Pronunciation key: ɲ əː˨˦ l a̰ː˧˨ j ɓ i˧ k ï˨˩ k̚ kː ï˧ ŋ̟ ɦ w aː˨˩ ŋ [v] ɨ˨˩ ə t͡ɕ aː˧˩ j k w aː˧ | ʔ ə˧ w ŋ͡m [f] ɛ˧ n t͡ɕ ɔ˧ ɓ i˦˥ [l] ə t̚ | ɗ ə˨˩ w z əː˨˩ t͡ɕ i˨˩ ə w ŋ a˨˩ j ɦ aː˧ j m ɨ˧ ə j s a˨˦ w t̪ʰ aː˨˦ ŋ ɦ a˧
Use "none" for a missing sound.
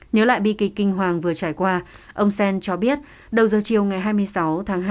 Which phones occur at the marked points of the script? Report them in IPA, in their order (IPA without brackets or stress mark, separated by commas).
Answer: v, s, none